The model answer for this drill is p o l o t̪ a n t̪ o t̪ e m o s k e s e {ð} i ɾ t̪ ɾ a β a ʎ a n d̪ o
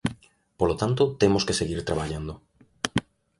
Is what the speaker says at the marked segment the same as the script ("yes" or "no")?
no